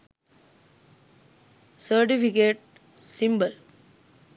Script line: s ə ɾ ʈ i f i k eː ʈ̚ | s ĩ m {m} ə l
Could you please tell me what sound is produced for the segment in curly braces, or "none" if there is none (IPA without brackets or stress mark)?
b